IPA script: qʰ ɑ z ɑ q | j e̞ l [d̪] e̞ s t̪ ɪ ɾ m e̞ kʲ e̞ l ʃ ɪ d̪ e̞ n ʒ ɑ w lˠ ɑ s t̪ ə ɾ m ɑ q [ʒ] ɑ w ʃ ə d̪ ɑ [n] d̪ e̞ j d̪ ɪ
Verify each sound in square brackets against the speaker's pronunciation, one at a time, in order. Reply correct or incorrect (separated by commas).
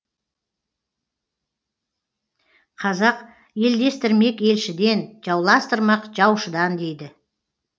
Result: correct, correct, correct